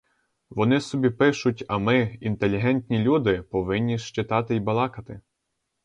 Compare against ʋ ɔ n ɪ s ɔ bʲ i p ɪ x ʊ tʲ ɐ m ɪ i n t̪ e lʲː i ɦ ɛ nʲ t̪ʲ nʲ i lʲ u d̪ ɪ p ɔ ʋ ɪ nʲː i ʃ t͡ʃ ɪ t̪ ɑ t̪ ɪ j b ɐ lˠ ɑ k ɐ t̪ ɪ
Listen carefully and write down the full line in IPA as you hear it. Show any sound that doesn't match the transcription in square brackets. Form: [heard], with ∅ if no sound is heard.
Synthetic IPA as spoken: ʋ ɔ n ɪ s ɔ bʲ i p ɪ [ʃ] ʊ tʲ ɐ m ɪ i n t̪ e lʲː i ɦ ɛ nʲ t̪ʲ nʲ i lʲ u d̪ ɪ p ɔ ʋ ɪ nʲː i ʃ t͡ʃ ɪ t̪ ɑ t̪ ɪ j b ɐ lˠ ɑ k ɐ t̪ ɪ